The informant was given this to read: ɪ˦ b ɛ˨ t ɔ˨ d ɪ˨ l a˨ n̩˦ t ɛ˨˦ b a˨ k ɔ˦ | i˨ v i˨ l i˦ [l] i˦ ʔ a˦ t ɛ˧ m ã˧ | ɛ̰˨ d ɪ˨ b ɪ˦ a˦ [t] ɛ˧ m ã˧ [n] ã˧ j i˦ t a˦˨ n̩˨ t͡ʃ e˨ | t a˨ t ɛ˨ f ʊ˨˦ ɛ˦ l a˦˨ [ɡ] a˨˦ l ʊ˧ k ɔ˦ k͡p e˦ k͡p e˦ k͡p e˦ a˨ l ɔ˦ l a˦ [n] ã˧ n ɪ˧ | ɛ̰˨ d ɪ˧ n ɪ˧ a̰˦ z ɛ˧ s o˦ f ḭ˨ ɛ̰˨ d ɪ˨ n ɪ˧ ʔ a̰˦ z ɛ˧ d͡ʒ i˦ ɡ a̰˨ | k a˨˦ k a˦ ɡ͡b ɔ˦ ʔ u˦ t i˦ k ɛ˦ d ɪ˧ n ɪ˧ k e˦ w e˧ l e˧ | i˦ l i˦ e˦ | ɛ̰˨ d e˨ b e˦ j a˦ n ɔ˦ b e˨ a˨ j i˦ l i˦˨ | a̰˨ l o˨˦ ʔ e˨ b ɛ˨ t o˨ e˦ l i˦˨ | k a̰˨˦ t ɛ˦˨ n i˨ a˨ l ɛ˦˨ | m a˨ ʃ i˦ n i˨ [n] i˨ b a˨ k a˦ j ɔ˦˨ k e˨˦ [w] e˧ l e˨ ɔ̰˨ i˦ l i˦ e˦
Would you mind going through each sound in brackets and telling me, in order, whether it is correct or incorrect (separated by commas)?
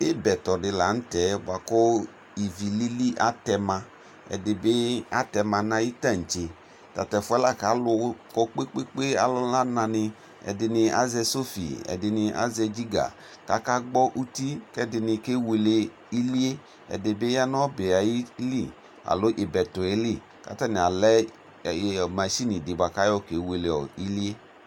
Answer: correct, correct, correct, incorrect, correct, incorrect, correct